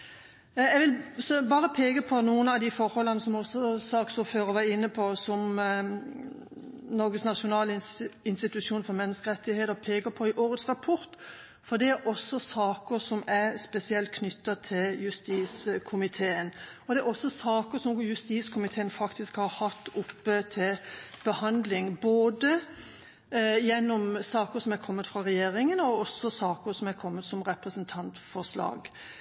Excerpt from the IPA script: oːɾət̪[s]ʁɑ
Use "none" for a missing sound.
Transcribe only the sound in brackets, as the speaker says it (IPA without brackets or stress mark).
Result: s